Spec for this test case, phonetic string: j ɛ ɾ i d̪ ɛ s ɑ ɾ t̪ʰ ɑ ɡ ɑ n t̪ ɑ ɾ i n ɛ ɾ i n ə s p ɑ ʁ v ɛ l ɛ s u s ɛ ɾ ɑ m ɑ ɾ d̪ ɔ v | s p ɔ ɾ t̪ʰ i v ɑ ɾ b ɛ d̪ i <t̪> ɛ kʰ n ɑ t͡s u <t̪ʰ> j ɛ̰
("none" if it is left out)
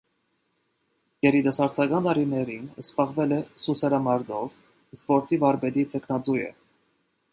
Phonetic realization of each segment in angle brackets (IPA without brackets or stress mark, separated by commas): t̪ʰ, none